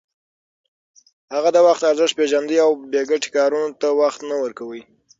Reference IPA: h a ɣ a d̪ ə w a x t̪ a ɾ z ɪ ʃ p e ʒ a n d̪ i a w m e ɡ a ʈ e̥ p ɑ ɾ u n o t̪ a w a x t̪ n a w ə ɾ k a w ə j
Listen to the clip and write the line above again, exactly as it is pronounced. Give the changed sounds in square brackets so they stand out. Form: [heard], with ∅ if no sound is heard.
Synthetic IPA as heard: h a ɣ a d̪ ə w a x t̪ a ɾ z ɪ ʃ p e ʒ a n d̪ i a w [b] e ɡ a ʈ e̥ [k] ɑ ɾ u n o t̪ a w a x t̪ n a w ə ɾ k a w ə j